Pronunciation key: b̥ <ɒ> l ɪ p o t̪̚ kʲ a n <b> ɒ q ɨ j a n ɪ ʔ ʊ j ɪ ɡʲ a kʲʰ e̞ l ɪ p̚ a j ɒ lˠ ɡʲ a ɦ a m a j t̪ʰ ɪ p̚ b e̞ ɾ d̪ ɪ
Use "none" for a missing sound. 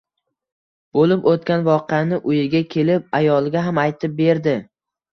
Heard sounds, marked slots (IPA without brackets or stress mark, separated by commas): o, v